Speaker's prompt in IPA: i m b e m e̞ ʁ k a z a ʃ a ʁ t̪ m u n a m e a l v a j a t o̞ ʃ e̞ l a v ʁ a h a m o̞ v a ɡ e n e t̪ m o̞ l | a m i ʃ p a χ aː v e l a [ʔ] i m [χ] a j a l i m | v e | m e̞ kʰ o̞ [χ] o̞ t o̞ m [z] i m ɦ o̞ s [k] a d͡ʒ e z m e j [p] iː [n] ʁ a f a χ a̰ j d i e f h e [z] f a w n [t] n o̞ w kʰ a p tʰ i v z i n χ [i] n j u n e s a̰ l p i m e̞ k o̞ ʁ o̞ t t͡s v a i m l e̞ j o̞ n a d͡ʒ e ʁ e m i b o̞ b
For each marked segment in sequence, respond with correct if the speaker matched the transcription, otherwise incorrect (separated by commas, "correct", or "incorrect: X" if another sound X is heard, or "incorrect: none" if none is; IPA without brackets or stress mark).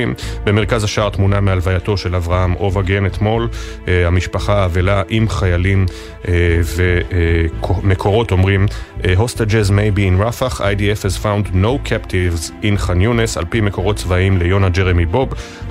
correct, correct, incorrect: ʁ, incorrect: ʁ, incorrect: t, incorrect: b, correct, correct, incorrect: d, incorrect: a